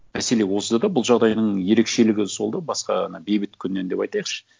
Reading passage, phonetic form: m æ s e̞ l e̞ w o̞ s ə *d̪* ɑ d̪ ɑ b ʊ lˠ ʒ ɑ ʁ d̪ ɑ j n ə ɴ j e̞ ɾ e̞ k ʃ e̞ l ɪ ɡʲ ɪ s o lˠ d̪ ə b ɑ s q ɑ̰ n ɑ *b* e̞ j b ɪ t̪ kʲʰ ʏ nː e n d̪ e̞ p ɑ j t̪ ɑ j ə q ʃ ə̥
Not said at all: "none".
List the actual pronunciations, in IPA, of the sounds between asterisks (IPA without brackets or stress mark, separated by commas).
d̪, b